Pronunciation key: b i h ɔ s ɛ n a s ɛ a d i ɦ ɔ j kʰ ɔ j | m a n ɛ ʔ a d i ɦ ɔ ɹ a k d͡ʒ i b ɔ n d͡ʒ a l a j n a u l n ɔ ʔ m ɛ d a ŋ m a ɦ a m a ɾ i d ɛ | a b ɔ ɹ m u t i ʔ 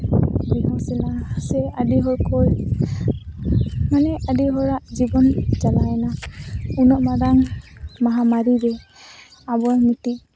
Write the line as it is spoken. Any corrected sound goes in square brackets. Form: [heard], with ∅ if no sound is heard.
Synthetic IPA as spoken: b i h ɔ s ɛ n a s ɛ a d i ɦ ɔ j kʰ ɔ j | m a n ɛ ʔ a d i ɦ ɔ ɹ a [ʔ] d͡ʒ i b ɔ n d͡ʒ a l a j n a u [∅] n ɔ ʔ m [a] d a ŋ m a ɦ a m a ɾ i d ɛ | a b ɔ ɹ m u t i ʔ